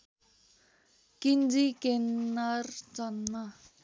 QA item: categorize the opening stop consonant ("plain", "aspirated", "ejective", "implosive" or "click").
plain